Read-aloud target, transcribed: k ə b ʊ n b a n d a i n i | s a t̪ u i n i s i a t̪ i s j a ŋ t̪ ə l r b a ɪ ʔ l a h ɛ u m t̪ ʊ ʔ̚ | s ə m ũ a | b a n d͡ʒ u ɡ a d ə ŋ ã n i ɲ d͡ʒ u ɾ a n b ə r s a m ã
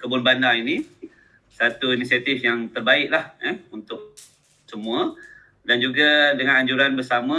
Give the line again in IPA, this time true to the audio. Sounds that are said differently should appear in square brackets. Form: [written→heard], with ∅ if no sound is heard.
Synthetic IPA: k ə b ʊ n b a n d a i n i | s a t̪ u i n i s i a t̪ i [s→f] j a ŋ t̪ ə [l→∅] r b a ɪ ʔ l a h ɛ u [m→n] t̪ ʊ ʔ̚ | s ə m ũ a | [b→d] a n d͡ʒ u ɡ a d ə ŋ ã n [i→a] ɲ d͡ʒ u ɾ a n b ə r s a m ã